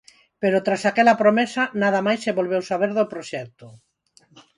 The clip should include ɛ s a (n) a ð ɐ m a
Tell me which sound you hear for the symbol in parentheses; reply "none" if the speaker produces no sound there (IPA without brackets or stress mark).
n